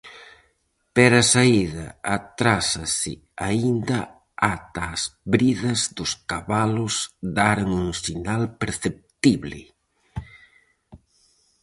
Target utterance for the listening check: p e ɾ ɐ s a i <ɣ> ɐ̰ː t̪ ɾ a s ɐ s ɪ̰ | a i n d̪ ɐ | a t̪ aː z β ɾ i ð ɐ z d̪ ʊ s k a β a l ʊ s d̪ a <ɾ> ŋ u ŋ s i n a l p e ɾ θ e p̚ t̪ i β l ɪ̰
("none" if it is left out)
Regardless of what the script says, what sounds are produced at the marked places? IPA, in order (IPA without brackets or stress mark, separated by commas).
ð, ɾ